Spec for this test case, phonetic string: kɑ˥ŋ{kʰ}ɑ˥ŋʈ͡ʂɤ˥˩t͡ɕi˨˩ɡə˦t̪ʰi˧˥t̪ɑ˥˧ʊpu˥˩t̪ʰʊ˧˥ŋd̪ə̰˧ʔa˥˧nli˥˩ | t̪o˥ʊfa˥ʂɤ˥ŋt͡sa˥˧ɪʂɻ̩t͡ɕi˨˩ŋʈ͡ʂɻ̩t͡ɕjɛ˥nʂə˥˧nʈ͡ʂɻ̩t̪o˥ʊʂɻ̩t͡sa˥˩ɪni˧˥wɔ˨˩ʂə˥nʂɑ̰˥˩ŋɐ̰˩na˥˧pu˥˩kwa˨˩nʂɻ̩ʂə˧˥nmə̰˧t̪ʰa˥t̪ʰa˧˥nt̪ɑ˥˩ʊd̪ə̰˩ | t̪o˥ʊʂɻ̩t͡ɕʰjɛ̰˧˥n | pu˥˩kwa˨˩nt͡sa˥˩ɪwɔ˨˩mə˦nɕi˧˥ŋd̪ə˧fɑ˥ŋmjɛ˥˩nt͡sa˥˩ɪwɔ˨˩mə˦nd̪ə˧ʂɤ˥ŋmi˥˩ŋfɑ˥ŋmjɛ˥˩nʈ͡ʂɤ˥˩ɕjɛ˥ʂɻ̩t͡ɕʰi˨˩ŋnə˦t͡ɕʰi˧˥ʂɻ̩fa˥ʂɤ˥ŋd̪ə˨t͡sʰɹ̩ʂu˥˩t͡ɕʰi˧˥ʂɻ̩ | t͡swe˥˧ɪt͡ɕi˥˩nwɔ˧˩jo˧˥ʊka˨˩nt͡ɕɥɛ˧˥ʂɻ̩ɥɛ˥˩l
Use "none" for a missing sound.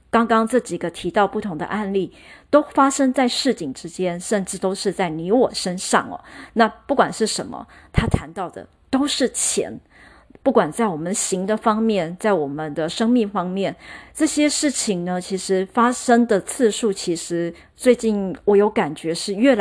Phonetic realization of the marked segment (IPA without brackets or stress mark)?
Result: k